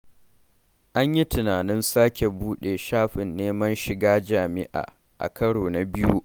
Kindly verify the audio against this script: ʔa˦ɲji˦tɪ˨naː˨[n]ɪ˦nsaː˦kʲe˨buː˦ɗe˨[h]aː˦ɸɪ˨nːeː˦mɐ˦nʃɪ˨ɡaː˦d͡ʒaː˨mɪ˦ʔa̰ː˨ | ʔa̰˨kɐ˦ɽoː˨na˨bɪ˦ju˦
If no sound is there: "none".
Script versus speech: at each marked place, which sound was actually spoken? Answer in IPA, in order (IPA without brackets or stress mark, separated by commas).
n, ʃ